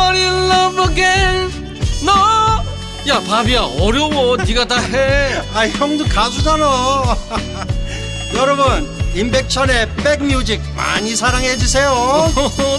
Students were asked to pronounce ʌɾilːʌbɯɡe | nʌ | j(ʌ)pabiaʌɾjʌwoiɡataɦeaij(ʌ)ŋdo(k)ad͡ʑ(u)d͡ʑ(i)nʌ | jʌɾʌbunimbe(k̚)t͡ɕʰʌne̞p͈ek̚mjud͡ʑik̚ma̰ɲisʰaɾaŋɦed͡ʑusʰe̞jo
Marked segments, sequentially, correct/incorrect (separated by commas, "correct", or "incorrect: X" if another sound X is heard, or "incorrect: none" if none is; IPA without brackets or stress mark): incorrect: a, correct, correct, correct, incorrect: a, correct